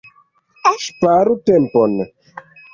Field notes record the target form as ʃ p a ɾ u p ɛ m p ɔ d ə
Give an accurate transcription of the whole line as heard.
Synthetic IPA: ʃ p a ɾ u t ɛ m p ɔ n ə